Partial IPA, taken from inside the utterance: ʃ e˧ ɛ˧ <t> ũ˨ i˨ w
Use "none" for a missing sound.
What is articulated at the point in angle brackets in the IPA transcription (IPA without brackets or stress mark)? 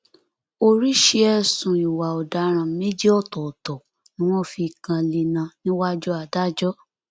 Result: s